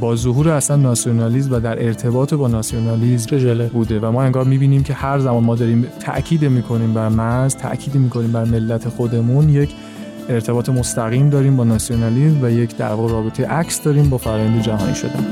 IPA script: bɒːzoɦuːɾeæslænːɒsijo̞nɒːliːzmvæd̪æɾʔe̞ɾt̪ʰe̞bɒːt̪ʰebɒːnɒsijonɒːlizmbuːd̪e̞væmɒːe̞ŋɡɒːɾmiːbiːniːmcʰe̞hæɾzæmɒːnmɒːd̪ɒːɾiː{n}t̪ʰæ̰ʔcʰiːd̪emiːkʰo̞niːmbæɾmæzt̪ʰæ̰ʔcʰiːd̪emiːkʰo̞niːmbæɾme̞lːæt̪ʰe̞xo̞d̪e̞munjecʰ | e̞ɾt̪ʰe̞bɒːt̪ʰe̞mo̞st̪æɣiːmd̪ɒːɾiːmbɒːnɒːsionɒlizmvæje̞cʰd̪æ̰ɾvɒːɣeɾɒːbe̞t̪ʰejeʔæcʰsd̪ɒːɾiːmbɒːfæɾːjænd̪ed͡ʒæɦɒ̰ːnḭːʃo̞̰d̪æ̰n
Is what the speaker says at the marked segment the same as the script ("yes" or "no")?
no